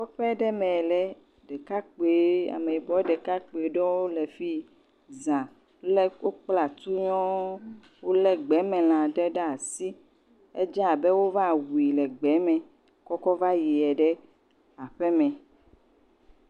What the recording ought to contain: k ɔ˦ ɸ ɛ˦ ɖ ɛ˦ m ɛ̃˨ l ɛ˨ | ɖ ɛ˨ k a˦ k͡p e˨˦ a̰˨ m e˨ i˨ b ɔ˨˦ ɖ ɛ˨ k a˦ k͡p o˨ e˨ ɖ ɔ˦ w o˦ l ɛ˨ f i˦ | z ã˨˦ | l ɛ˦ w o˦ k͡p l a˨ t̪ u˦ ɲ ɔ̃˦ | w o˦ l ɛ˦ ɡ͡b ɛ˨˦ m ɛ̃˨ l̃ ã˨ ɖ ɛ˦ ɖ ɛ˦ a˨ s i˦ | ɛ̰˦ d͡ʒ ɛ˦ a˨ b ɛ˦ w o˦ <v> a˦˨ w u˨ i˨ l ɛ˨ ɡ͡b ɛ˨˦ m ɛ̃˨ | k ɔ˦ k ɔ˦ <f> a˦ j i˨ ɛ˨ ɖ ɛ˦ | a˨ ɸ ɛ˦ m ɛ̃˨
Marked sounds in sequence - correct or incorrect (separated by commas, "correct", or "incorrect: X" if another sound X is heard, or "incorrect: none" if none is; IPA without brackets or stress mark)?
correct, incorrect: v